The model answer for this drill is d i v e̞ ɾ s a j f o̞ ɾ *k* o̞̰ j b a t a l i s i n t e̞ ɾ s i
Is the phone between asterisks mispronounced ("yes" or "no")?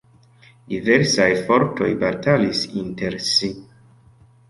yes